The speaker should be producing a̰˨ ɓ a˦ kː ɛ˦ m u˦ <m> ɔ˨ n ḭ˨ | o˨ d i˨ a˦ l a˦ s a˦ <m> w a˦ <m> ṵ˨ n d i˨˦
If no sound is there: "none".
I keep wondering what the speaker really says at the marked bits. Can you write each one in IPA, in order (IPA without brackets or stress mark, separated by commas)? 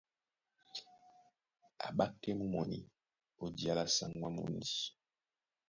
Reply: m, ŋ, m